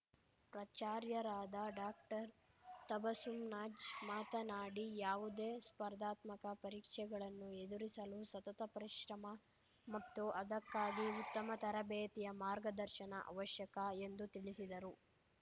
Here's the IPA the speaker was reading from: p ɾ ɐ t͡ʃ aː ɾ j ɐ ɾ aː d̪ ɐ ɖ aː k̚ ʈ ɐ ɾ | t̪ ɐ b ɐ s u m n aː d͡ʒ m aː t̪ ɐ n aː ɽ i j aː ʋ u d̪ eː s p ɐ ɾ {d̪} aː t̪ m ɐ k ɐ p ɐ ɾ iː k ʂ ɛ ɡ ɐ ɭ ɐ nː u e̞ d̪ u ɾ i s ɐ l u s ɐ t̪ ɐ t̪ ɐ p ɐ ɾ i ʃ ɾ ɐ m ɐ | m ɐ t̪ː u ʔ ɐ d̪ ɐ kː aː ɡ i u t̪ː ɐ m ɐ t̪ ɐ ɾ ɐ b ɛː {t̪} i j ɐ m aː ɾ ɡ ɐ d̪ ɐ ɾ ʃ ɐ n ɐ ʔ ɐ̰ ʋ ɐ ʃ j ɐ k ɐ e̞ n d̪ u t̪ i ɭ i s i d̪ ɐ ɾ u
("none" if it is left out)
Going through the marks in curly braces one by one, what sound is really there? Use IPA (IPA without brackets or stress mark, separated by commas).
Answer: d̪, t̪